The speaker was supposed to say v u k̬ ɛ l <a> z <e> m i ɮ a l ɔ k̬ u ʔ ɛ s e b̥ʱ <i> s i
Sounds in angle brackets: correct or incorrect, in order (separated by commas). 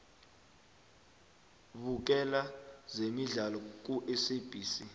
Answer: correct, correct, incorrect